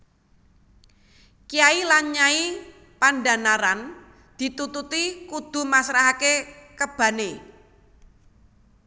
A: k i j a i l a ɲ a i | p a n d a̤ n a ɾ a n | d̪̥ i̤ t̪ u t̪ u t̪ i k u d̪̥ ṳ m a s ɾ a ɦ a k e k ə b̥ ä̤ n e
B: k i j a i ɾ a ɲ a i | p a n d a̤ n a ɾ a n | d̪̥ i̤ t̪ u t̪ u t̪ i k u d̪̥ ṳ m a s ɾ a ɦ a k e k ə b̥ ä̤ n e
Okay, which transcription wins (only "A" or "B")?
A